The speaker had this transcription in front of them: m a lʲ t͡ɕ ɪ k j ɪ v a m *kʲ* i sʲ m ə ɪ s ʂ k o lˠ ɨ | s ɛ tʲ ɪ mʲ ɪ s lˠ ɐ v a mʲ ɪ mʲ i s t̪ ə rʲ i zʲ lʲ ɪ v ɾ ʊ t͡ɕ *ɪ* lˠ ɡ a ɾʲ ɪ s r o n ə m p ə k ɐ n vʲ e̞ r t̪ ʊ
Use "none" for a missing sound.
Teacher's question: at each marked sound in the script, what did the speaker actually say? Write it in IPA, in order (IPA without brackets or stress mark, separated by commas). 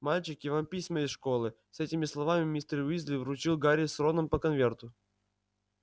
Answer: pʲ, i